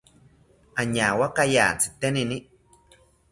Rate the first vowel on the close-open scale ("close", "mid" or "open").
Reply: open